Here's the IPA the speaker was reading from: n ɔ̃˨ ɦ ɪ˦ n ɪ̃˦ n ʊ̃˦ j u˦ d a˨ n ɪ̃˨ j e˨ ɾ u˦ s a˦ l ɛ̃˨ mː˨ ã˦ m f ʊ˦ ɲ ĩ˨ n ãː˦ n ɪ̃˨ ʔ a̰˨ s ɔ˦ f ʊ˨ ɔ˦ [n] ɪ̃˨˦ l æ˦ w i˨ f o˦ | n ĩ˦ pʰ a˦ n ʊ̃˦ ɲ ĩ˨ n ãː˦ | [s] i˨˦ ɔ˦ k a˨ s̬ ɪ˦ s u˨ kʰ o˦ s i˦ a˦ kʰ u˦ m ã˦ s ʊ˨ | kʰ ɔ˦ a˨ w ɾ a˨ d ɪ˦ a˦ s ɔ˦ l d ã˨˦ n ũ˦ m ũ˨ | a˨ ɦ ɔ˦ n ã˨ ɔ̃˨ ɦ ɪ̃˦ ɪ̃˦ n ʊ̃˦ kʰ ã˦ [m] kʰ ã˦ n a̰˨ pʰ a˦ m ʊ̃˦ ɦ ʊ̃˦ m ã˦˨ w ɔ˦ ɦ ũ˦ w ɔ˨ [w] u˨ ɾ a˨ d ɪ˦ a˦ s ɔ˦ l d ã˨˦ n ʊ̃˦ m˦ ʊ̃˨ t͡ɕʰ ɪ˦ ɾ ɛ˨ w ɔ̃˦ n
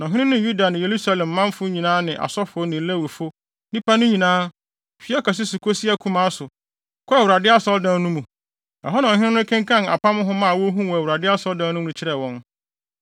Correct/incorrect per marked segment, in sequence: correct, incorrect, incorrect, correct

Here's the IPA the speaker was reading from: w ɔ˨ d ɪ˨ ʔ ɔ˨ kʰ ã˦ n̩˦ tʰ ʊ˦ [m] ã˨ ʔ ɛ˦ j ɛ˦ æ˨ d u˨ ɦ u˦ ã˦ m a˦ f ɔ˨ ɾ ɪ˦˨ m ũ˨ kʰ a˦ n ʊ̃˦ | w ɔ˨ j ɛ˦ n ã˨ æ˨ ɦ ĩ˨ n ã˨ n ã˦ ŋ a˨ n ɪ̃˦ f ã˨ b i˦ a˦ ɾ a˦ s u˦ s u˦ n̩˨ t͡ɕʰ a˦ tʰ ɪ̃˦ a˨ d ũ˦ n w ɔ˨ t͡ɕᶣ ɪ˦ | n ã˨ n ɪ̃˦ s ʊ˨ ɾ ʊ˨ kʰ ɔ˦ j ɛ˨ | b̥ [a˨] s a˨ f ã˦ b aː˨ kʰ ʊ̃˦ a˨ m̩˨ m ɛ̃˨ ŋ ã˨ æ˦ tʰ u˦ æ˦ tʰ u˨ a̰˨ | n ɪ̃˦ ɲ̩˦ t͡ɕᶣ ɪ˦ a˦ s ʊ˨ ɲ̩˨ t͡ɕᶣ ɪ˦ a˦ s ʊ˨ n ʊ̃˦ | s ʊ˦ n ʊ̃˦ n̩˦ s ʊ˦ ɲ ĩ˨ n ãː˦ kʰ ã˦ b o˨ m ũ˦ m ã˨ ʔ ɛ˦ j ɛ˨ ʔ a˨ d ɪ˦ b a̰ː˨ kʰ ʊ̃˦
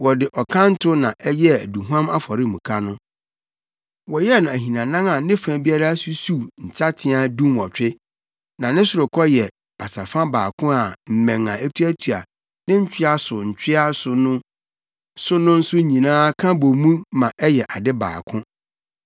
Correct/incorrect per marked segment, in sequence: incorrect, correct

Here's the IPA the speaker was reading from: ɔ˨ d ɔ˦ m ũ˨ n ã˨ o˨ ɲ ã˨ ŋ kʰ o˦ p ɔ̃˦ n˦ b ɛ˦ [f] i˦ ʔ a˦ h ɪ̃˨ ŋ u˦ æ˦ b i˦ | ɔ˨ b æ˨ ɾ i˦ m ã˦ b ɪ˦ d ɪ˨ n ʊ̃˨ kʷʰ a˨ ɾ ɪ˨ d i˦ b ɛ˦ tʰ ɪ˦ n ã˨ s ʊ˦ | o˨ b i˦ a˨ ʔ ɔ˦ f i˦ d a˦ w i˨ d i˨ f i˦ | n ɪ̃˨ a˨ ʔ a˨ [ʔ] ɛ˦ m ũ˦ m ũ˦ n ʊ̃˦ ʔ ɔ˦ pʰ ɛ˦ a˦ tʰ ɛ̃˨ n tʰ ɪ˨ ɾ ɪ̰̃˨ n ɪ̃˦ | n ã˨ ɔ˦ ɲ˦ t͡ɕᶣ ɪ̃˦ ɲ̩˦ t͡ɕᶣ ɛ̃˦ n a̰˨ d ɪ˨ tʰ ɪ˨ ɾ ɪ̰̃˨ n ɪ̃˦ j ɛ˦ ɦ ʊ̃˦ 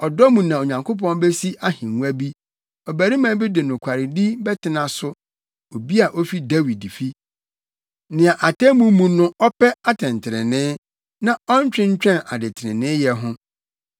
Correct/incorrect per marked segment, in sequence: incorrect, incorrect

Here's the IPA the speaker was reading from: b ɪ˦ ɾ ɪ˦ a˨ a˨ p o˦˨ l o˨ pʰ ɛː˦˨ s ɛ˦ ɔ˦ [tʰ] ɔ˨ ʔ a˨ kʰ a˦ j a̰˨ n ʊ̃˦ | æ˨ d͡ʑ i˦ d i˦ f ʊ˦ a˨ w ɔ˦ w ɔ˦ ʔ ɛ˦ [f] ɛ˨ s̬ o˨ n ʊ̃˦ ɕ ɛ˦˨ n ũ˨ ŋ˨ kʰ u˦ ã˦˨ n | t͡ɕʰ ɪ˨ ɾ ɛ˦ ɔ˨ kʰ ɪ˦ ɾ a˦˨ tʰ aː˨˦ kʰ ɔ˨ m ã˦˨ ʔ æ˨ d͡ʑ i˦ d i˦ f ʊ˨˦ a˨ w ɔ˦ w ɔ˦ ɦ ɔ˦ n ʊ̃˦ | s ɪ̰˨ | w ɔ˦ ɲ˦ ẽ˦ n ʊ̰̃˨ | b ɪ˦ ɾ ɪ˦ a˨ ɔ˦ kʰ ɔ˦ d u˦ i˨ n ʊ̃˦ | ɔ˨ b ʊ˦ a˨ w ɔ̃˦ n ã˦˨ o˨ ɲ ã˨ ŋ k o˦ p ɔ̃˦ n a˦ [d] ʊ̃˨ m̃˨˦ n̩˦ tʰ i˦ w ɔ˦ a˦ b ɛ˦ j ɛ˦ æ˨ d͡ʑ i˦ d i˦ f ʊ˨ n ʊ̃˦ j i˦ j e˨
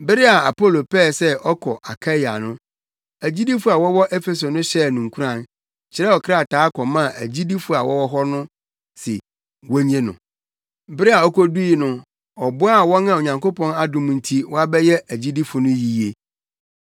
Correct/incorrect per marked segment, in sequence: incorrect, correct, correct

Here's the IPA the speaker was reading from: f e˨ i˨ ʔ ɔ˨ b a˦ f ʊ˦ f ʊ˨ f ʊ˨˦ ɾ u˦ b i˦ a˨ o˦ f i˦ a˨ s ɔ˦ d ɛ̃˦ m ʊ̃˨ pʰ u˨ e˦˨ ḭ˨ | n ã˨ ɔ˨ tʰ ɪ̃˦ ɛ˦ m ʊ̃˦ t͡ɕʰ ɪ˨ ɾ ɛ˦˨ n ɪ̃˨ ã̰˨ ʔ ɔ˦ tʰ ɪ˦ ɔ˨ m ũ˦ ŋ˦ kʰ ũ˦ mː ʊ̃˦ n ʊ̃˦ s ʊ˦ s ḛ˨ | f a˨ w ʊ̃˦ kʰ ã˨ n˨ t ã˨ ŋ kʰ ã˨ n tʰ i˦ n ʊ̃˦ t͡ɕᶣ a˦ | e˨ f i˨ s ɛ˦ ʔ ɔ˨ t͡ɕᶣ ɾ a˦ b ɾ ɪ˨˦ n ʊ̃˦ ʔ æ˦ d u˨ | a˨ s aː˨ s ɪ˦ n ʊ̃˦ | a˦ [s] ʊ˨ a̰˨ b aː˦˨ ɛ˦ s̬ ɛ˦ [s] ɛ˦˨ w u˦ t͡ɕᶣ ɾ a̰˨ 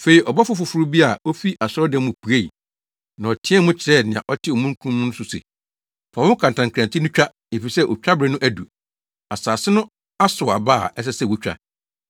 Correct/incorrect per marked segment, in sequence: correct, correct

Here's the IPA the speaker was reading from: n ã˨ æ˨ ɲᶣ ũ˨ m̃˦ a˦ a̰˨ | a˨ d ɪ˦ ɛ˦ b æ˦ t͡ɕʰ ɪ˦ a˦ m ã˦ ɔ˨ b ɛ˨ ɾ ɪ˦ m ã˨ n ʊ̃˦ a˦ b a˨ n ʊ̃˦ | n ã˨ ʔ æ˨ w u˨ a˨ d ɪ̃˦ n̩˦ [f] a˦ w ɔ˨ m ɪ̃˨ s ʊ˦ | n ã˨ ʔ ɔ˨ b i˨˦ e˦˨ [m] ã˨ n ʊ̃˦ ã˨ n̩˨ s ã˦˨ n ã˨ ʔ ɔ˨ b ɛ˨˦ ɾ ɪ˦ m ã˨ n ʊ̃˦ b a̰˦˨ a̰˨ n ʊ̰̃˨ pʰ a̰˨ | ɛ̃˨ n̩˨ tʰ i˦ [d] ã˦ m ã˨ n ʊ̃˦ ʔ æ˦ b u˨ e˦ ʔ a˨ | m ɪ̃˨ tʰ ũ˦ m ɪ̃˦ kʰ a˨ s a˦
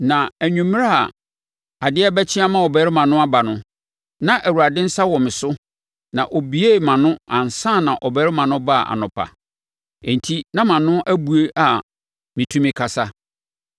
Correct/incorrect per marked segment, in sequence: incorrect, correct, incorrect

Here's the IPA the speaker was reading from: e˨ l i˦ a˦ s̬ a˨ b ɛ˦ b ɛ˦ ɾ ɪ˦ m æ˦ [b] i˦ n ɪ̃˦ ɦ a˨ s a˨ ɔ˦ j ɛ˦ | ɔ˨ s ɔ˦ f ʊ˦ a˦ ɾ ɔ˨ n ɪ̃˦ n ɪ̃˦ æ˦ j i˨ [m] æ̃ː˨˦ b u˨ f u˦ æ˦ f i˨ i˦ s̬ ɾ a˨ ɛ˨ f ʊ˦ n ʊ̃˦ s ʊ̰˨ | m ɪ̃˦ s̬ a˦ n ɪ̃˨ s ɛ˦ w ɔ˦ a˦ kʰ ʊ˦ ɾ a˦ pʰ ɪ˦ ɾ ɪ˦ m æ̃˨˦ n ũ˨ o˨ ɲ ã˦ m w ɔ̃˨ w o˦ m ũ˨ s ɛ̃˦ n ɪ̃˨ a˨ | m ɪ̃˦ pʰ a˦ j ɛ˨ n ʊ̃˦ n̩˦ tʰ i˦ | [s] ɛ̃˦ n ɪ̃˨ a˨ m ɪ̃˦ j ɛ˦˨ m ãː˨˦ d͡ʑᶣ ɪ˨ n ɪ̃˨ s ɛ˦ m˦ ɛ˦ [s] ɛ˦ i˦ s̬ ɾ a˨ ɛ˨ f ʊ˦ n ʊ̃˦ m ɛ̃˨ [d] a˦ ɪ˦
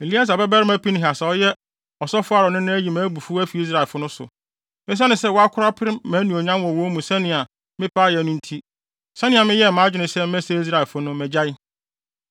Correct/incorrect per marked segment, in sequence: incorrect, correct, correct, correct, incorrect

